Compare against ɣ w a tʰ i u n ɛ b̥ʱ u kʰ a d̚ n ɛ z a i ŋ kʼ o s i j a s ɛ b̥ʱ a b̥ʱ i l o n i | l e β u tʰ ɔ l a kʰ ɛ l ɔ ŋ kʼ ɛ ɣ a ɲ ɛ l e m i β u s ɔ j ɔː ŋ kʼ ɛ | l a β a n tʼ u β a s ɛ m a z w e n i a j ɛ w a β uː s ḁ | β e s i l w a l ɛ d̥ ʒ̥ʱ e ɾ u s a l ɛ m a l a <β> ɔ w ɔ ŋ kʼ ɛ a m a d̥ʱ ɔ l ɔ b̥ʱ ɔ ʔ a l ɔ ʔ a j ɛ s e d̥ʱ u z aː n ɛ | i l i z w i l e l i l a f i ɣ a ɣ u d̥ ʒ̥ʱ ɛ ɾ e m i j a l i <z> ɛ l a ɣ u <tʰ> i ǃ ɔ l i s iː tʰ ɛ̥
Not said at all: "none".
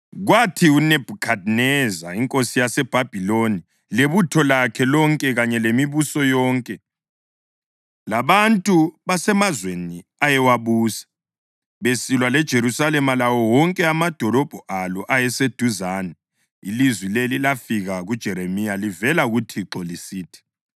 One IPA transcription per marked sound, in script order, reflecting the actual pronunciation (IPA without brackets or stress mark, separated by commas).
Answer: w, v, tʰ